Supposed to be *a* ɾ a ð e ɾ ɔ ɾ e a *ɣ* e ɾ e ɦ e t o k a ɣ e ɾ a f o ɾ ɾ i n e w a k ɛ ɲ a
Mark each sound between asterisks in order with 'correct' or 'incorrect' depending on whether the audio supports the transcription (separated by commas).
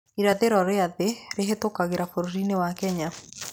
incorrect, incorrect